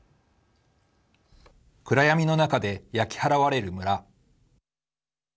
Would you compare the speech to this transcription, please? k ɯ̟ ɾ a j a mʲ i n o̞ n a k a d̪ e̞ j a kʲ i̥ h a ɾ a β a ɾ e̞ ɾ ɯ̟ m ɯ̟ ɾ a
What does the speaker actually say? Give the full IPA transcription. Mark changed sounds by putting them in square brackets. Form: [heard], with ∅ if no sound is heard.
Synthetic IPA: k ɯ̟ ɾ a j a mʲ i n o̞ n a k a d̪ e̞ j a kʲ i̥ h a ɾ a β a ɾ e̞ ɾ ɯ̟ m ɯ̟ ɾ a